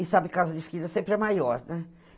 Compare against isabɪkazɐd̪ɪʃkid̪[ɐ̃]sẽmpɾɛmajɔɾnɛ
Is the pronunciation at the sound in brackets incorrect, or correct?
incorrect: ɐ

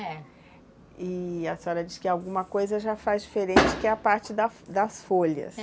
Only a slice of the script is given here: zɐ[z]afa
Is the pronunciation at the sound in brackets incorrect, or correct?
incorrect: ʒ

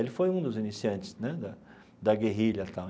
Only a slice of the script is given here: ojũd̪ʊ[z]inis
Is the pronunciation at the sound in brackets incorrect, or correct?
correct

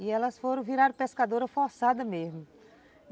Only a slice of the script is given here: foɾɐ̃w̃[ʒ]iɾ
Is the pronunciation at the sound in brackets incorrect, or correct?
incorrect: v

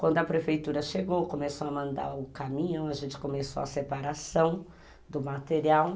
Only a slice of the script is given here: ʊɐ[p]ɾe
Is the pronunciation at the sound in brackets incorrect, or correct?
correct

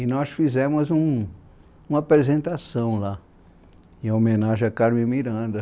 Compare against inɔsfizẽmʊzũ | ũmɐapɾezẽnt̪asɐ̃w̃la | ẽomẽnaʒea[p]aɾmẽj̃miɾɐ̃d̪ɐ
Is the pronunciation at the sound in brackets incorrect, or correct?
incorrect: k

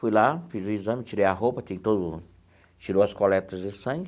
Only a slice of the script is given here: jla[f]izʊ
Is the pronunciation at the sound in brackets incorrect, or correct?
correct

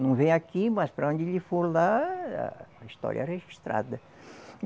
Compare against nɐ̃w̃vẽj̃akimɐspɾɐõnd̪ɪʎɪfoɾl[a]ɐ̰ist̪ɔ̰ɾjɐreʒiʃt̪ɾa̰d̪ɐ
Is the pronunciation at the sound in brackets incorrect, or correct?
correct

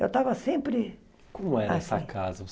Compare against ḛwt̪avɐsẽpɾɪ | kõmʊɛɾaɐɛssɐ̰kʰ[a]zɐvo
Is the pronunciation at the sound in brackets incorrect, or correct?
correct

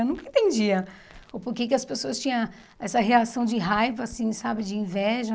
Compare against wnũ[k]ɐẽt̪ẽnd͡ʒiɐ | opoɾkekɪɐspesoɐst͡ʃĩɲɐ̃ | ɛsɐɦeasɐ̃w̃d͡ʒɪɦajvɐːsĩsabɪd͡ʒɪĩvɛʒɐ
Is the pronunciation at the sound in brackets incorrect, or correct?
correct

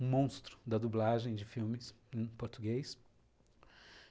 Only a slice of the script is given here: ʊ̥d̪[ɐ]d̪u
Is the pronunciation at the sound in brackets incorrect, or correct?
correct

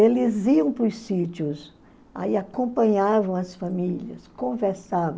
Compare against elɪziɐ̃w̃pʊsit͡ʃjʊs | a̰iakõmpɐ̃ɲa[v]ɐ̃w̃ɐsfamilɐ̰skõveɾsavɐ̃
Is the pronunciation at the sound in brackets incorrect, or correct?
correct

